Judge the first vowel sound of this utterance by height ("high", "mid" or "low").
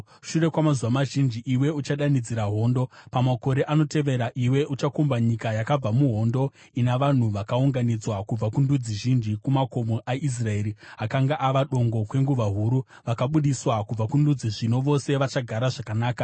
high